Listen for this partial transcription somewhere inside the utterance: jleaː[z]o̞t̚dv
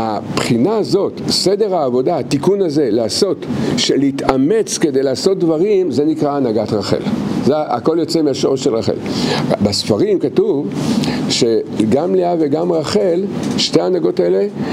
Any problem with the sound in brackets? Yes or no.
yes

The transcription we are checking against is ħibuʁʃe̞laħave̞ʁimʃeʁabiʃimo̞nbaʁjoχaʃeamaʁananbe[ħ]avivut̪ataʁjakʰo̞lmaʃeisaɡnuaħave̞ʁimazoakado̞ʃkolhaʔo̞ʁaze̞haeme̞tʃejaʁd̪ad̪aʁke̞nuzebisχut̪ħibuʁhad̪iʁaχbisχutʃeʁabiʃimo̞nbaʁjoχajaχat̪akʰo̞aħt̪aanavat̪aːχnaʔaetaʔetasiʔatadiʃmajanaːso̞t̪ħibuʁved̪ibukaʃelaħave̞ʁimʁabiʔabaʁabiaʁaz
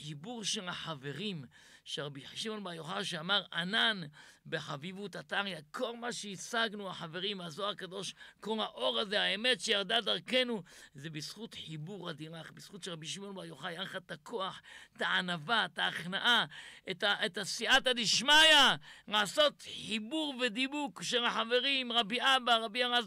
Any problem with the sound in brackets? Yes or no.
no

